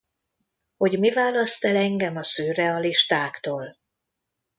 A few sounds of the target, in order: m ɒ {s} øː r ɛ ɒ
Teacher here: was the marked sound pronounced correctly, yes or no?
yes